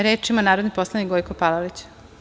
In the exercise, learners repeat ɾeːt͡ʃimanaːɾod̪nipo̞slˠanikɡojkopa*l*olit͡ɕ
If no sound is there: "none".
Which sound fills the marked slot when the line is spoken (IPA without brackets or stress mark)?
l